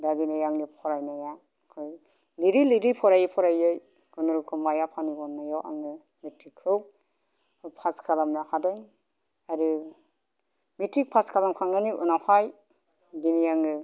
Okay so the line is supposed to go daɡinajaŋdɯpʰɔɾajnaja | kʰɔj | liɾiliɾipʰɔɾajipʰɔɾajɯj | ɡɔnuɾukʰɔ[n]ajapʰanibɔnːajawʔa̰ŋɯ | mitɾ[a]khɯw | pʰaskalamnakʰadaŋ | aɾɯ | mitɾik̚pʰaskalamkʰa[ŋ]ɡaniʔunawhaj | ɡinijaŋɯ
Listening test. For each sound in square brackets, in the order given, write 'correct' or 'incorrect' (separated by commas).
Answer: incorrect, incorrect, correct